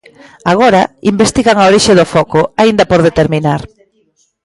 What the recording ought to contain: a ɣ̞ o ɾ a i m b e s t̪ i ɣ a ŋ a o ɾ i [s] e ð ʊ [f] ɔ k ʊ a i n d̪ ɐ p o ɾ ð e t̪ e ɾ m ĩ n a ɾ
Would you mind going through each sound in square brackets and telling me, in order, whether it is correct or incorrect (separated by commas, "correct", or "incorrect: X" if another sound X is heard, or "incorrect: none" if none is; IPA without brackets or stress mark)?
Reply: incorrect: ʃ, correct